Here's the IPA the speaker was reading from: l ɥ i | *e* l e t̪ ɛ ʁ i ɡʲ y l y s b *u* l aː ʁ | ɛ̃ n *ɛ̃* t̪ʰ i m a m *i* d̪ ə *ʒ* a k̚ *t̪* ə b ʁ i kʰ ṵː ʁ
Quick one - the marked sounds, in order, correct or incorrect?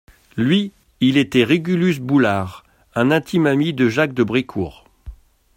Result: incorrect: i, correct, correct, correct, correct, incorrect: d̪

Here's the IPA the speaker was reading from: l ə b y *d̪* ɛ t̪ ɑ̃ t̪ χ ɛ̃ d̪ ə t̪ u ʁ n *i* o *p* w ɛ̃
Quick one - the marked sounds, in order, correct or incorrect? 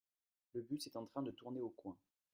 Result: incorrect: t̪, incorrect: e, incorrect: k

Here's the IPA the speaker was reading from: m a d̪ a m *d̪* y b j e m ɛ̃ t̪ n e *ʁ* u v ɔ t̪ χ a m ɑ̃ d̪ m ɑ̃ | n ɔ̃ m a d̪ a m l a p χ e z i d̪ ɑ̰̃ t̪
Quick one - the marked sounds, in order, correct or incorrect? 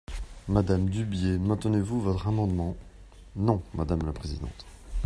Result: correct, incorrect: v

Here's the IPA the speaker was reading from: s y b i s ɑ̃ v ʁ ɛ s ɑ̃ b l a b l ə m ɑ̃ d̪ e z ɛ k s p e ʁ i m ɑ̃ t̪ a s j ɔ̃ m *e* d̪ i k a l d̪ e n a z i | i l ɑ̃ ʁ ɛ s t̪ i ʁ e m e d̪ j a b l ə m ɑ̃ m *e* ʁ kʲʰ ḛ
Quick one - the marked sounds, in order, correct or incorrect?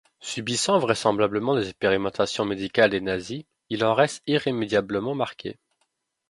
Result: correct, incorrect: a

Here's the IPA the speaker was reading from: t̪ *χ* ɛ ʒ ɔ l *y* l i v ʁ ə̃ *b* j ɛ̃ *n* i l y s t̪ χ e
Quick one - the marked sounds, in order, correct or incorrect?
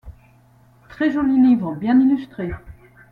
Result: correct, incorrect: i, correct, correct

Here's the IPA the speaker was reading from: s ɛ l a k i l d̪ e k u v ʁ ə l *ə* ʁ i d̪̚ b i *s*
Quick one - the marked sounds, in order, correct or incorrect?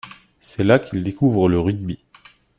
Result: correct, incorrect: none

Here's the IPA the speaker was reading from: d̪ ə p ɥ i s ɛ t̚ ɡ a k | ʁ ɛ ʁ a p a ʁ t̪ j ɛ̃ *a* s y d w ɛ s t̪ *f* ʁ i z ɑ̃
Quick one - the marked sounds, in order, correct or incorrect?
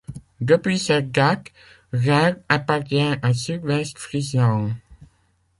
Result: correct, correct

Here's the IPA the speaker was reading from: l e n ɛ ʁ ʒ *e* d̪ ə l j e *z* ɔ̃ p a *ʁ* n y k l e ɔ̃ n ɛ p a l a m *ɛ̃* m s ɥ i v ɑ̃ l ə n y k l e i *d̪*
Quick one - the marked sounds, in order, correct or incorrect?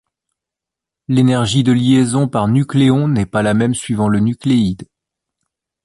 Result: incorrect: i, correct, correct, incorrect: ɛ, correct

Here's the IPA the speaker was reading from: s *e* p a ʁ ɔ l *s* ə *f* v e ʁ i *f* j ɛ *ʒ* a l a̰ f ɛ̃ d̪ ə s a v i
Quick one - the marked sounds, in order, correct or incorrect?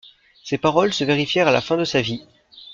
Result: correct, correct, incorrect: none, correct, incorrect: ʁ

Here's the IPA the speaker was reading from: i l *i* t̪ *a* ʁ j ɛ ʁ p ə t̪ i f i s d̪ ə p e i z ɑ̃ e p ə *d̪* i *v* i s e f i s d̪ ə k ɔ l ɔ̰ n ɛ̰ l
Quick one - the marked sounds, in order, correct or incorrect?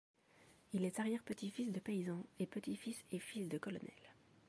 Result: incorrect: ɛ, correct, incorrect: t̪, incorrect: f

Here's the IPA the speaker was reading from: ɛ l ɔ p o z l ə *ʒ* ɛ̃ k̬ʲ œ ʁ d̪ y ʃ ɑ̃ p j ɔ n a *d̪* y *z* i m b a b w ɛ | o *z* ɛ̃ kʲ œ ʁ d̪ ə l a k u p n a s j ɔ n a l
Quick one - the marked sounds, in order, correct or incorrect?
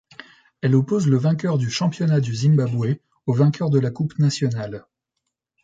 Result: incorrect: v, correct, correct, incorrect: v

